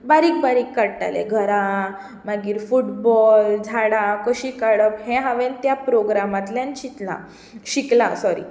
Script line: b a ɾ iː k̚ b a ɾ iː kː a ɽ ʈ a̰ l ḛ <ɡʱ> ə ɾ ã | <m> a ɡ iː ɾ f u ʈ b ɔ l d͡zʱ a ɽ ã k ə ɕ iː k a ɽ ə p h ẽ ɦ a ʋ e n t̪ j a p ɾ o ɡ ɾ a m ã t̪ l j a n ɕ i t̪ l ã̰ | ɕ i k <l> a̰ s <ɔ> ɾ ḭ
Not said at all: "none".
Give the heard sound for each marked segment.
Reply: ɡʱ, m, l, ɔ

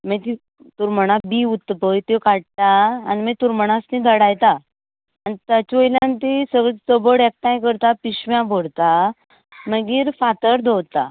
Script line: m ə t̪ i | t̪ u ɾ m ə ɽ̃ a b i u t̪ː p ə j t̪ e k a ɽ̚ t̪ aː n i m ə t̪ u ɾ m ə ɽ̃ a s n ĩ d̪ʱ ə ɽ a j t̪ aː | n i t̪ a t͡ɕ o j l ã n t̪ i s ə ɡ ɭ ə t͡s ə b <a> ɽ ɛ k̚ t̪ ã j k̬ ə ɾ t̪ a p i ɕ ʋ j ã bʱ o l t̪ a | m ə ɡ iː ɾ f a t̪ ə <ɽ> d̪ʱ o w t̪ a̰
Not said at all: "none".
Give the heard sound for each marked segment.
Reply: ə, ɾ

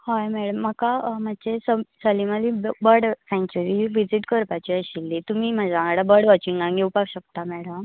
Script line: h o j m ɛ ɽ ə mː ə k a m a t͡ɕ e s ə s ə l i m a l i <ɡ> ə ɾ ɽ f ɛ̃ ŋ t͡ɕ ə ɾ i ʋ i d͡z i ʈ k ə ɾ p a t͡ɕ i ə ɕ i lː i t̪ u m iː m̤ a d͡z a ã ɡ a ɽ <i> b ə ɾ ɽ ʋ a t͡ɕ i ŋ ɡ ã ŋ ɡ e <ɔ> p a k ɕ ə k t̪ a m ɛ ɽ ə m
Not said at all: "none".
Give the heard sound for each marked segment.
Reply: b, a, u

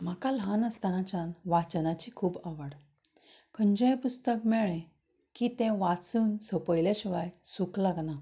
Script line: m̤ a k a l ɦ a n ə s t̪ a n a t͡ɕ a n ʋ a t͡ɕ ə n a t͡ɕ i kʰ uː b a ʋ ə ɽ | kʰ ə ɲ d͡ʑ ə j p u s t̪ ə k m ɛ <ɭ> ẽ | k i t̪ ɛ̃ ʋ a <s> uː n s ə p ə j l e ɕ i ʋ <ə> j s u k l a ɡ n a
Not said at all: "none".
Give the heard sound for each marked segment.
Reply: ɭ, t͡s, a

